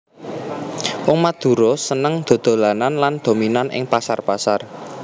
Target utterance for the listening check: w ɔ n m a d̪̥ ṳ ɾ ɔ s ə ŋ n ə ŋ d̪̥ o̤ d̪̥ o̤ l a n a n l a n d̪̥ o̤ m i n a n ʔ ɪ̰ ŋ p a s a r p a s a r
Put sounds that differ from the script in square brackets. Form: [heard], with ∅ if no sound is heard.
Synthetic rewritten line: w ɔ [ŋ] m a d̪̥ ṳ ɾ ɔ s ə [∅] n ə ŋ d̪̥ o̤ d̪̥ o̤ l a n a n l a n d̪̥ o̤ m i n a n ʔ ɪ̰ ŋ p a s a r p a s a r